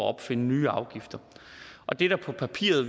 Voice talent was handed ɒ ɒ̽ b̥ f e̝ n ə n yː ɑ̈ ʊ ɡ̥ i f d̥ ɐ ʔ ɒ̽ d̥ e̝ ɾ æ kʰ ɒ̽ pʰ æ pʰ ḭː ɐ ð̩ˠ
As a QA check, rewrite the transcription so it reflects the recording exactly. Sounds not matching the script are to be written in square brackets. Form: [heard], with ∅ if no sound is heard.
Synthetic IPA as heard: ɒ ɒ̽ b̥ f e̝ n ə n yː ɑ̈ ʊ ɡ̥ i f d̥ ɐ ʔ ɒ̽ d̥ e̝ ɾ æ [pʰ] ɒ̽ pʰ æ pʰ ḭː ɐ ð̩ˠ

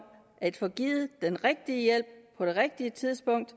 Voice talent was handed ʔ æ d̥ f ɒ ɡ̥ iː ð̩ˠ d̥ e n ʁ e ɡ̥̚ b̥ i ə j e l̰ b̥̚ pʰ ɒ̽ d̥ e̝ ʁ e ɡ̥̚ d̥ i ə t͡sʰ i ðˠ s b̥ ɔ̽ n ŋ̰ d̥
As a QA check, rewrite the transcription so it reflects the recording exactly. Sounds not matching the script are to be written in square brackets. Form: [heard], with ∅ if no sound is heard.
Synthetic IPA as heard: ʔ æ d̥ f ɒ ɡ̥ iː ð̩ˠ d̥ e n ʁ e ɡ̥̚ [d̥] i ə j e l̰ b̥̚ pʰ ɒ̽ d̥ e̝ ʁ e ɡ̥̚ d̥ i ə t͡sʰ i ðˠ s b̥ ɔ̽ [∅] ŋ̰ d̥

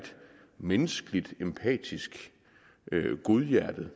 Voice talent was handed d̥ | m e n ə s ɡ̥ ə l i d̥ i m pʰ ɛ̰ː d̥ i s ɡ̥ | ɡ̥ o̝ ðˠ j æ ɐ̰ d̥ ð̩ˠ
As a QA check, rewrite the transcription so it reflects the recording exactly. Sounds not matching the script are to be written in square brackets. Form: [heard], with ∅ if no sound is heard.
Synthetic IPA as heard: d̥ | m e n ə s ɡ̥ ə l i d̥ [e] m pʰ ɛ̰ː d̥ i s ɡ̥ | ɡ̥ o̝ ðˠ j æ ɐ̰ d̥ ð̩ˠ

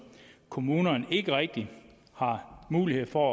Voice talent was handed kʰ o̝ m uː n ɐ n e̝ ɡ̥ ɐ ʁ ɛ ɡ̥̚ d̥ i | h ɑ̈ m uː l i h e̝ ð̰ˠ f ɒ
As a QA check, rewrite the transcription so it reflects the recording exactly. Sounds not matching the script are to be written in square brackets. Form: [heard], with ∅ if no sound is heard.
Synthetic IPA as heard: kʰ o̝ m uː n ɐ n e̝ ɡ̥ [ə] ʁ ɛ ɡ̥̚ d̥ i | h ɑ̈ m uː l i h e̝ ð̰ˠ f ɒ

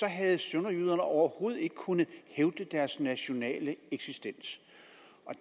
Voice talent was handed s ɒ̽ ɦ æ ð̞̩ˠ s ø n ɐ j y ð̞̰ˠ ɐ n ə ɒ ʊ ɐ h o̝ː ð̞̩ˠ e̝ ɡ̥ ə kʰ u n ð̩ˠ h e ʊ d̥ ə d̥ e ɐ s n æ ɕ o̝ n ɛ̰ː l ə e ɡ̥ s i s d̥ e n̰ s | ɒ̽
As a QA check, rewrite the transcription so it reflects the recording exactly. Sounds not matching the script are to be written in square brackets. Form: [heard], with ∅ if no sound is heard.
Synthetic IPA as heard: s ɒ̽ ɦ æ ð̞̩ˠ s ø n ɐ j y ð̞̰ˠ ɐ n ə ɒ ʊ ɐ h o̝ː ð̞̩ˠ e̝ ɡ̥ ə kʰ u n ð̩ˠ h e ʊ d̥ ə d̥ [æ] ɐ s n æ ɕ o̝ n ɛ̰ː l ə e ɡ̥ s i s d̥ e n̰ s | ɒ̽

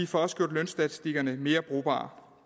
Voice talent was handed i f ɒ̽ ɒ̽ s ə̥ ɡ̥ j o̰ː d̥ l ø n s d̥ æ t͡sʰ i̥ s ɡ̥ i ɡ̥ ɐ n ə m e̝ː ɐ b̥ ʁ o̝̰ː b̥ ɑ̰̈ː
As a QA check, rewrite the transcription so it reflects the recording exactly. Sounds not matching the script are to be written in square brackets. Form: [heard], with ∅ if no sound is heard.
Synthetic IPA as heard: i f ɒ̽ ɒ̽ s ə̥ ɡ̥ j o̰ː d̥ l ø n s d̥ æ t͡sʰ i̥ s [d̥] i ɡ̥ ɐ n ə m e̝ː ɐ b̥ ʁ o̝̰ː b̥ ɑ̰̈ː

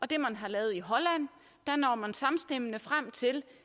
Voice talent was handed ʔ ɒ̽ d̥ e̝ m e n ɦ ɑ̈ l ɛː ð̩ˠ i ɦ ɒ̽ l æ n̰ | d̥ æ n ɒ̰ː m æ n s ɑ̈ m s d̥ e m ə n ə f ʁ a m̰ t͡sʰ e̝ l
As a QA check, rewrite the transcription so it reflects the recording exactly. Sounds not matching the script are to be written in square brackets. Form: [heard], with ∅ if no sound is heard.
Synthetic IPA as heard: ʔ ɒ̽ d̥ e̝ m [æ] n ɦ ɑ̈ l ɛː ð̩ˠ i ɦ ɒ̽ l æ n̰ | d̥ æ n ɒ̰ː m æ n s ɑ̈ m s d̥ e m ə n ə f ʁ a m̰ t͡sʰ e̝ l

